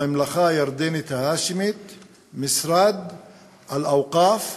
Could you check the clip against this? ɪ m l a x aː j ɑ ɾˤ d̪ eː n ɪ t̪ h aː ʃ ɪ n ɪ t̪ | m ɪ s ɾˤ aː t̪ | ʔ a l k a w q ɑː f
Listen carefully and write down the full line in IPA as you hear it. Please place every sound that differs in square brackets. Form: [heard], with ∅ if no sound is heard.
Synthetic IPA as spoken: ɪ m l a x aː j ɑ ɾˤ d̪ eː n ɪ t̪ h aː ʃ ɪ [m] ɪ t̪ | m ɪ s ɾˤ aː [d̪] | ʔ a l [ʔ] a w q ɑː f